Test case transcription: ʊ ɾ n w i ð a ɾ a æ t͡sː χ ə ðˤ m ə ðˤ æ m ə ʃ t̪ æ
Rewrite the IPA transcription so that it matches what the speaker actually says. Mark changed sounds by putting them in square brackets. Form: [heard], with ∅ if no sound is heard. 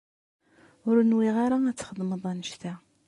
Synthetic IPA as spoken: ʊ ɾ n w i [ʁ] a ɾ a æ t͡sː χ ə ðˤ m ə ðˤ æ [n] ə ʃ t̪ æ